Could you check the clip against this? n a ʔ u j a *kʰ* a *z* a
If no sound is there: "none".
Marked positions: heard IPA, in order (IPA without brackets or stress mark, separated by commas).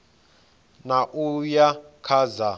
kʰ, z